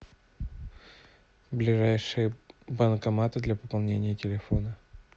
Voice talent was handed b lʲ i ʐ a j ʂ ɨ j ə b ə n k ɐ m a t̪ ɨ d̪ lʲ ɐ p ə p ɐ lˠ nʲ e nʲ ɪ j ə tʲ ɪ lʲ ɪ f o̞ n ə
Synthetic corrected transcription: b lʲ ɪ ʐ a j ʂ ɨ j ə b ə n k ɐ m a t̪ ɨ d̪ lʲ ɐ p ə p ɐ lˠ nʲ e nʲ ɪ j ə tʲ ɪ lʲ ɪ f o̞ n ə